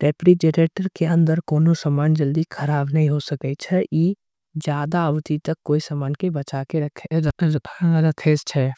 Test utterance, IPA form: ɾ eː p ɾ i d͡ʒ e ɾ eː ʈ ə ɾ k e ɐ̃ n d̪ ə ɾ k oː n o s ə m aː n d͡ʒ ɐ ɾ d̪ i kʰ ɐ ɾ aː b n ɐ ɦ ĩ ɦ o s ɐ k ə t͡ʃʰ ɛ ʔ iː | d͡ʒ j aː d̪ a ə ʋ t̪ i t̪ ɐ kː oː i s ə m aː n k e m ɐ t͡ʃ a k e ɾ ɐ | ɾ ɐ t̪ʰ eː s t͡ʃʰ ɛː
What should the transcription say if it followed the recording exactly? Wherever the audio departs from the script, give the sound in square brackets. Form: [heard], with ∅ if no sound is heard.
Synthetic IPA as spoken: ɾ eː p ɾ i d͡ʒ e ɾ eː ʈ ə ɾ k e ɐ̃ n d̪ ə ɾ k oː n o s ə m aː n d͡ʒ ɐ [l] d̪ i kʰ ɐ ɾ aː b n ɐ ɦ ĩ ɦ o s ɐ k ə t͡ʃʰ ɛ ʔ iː | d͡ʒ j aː d̪ a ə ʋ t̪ i t̪ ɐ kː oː i s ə m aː n k e [b] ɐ t͡ʃ a k e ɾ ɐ | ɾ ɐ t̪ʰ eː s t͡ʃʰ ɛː

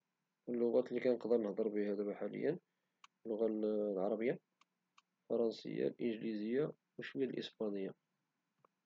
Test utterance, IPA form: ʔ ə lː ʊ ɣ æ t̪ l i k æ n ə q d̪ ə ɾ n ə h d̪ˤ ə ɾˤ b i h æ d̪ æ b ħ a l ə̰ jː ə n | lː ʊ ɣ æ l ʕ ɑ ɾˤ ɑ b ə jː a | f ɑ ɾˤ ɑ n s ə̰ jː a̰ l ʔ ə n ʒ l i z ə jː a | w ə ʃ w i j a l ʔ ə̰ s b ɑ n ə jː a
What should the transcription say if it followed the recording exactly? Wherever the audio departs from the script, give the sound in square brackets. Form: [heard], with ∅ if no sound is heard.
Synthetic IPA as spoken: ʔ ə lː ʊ ɣ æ t̪ l i k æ n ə q d̪ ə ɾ n ə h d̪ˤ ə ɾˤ b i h æ d̪ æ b ħ a l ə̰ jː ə n | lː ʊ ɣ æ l ʕ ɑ ɾˤ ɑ b ə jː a | f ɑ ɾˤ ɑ n s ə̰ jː a̰ l ʔ ə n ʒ l i z ə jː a | w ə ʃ w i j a l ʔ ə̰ s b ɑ n ə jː a

